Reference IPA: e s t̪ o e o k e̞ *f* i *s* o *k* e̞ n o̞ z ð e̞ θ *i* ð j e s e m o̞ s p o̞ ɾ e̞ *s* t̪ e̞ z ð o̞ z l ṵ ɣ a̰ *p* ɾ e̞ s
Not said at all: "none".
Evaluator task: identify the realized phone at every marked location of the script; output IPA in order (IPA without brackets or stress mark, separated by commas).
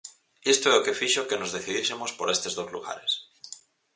f, ʃ, k, i, s, none